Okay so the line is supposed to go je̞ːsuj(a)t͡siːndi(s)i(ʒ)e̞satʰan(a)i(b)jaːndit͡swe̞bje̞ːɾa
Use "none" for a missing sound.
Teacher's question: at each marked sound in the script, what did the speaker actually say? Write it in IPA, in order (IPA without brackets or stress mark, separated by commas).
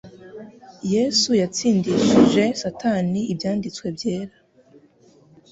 a, ʃ, ʒ, i, b